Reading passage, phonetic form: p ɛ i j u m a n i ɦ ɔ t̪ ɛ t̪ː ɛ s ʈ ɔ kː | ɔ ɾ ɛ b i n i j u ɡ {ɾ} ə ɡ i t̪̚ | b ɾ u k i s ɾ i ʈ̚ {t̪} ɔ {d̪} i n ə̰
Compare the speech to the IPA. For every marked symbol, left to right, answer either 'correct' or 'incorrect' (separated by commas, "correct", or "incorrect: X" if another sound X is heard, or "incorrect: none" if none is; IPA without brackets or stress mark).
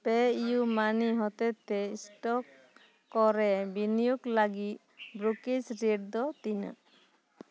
incorrect: l, incorrect: d̪, incorrect: t̪